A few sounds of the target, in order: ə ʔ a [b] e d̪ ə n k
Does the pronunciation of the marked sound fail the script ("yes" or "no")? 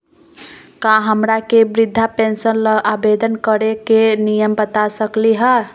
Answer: no